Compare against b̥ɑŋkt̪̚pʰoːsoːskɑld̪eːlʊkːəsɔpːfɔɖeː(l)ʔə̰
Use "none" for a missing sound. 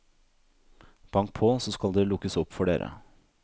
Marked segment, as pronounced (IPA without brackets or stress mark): ɾ